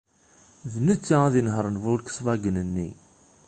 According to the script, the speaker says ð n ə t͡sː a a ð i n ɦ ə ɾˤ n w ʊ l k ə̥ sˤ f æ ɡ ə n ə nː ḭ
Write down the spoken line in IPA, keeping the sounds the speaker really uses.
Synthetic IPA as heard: ð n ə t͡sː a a ð i n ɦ ə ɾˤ n v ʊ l k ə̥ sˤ v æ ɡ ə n ə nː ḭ